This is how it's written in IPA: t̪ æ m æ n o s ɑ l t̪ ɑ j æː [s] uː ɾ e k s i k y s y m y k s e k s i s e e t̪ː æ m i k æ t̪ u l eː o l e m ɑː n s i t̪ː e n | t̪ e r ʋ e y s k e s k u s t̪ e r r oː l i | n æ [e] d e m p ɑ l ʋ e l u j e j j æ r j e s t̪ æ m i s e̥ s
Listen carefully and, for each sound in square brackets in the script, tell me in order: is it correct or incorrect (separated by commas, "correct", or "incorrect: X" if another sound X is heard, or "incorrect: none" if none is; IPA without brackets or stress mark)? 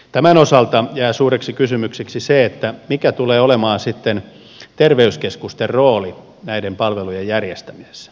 correct, incorrect: i